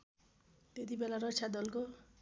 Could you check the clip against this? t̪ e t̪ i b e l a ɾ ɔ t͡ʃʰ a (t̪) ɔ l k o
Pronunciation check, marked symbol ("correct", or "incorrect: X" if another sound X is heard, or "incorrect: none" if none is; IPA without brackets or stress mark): incorrect: d̪